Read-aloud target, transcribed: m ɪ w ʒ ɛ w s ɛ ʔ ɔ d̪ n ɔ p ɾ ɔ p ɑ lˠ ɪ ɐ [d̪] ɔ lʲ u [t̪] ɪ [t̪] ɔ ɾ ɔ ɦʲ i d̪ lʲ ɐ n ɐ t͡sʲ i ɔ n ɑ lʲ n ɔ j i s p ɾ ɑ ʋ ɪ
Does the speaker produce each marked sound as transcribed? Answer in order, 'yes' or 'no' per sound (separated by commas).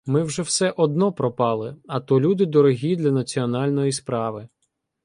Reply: no, no, no